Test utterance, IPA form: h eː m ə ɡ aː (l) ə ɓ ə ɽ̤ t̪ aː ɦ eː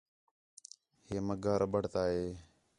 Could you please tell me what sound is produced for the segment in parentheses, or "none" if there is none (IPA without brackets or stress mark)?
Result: ɾ